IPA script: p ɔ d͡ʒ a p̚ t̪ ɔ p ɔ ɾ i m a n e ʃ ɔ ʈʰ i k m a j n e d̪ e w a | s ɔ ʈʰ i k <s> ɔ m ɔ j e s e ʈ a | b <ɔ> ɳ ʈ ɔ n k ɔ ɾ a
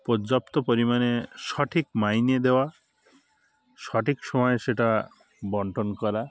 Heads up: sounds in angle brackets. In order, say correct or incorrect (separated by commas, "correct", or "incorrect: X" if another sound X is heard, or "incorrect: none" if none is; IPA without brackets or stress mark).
correct, correct